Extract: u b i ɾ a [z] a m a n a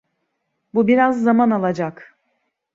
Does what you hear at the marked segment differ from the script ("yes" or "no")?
yes